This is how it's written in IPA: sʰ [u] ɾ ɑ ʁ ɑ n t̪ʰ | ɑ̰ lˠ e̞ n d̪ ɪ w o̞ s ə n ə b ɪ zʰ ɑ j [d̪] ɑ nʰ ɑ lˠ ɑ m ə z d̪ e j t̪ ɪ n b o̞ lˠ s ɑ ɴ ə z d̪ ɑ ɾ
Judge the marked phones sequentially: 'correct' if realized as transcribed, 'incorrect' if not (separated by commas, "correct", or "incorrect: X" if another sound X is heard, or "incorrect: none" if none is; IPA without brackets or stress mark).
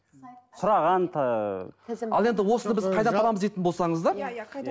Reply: incorrect: ʊ, correct